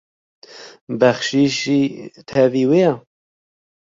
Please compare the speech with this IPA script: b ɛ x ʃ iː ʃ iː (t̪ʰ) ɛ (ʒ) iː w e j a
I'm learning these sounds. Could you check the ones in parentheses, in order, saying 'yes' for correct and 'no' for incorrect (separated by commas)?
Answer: yes, no